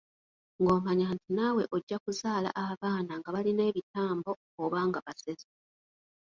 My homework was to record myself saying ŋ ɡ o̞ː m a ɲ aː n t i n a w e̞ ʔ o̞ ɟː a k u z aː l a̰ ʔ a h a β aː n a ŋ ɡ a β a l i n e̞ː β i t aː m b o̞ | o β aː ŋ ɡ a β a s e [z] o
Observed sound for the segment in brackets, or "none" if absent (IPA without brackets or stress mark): z